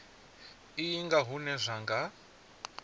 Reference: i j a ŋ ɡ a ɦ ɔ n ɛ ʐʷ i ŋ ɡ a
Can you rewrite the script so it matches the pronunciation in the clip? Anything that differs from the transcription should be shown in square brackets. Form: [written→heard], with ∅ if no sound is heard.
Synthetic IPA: i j [a→i] ŋ ɡ a ɦ [ɔ→u] n ɛ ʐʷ [i→a] ŋ ɡ a